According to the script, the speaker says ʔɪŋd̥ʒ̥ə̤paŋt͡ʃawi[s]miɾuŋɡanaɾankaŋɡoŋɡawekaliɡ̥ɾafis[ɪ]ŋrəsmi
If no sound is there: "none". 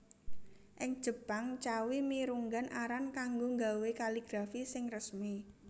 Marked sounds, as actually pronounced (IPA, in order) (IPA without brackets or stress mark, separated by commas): none, ɪ